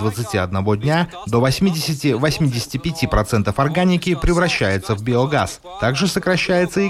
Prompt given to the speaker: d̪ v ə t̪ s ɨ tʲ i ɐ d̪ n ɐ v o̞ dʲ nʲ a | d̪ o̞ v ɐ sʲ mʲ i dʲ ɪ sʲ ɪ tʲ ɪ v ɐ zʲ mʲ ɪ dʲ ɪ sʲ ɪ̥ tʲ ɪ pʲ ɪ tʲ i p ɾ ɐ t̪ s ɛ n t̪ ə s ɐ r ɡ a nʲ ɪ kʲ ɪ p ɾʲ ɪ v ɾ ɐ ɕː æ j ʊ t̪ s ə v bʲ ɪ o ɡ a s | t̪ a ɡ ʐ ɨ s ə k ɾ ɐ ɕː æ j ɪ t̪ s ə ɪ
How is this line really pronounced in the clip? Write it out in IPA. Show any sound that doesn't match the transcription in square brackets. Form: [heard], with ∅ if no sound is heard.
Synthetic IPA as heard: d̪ v ə t̪ s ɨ tʲ i ɐ d̪ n ɐ v o̞ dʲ nʲ a | d̪ o̞ v ɐ sʲ mʲ i dʲ ɪ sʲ ɪ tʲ ɪ v ɐ [sʲ] mʲ [i] dʲ ɪ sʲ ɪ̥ tʲ ɪ pʲ ɪ tʲ i p ɾ ɐ t̪ s ɛ n t̪ ə [f] ɐ r ɡ a nʲ ɪ kʲ ɪ p ɾʲ ɪ v ɾ ɐ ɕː æ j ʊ t̪ s ə v bʲ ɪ o ɡ a s | t̪ a ɡ ʐ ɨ s ə k ɾ ɐ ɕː æ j ɪ t̪ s ə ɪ